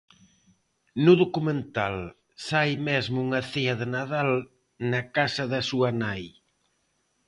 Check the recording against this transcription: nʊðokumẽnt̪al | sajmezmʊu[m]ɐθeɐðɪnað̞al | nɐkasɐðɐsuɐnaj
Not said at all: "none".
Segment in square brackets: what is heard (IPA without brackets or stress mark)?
ŋ